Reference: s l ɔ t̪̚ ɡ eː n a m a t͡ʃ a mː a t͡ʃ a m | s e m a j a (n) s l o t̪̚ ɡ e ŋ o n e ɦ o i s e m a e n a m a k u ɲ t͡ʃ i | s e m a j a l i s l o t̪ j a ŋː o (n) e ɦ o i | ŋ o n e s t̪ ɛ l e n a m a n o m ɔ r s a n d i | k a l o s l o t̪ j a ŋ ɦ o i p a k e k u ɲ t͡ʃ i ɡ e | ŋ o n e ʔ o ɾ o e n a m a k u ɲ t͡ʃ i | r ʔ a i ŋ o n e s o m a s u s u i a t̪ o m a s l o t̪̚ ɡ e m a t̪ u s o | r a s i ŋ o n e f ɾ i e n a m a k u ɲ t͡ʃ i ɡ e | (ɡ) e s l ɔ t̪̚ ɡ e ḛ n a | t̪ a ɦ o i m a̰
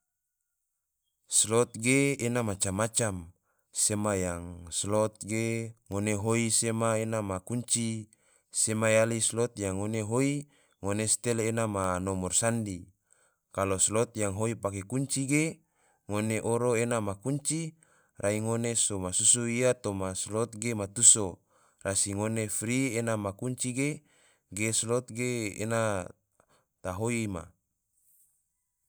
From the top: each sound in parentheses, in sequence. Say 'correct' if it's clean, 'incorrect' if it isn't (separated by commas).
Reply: incorrect, correct, correct